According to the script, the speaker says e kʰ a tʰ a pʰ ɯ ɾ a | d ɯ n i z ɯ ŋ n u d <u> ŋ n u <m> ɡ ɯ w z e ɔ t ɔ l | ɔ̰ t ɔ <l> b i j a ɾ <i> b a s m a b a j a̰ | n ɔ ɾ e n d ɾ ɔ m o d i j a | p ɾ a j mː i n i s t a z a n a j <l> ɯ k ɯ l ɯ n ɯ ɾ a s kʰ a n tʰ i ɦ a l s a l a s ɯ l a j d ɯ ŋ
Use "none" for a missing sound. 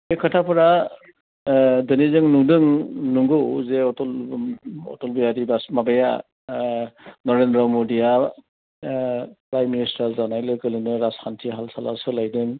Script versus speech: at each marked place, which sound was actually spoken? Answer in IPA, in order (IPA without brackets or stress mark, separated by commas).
ɯ, ŋ, l, i, l